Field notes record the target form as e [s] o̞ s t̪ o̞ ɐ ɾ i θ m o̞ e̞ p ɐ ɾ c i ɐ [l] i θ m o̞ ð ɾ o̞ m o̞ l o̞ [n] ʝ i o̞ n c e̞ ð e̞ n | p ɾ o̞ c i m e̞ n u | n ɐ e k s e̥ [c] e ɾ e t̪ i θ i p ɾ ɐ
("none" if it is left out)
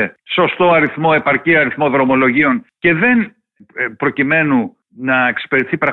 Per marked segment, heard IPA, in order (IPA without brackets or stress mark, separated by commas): s, ɾ, none, p